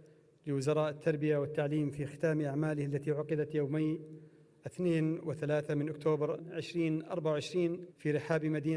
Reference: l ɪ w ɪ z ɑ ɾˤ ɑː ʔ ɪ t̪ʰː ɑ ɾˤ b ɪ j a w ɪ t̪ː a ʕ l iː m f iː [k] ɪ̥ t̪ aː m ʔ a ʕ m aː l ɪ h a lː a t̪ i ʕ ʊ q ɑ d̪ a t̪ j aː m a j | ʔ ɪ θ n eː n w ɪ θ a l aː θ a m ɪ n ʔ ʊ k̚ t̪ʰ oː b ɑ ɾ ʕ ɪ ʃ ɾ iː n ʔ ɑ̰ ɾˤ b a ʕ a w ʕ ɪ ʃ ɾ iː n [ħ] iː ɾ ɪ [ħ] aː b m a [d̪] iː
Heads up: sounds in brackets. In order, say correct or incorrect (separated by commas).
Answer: incorrect, incorrect, correct, correct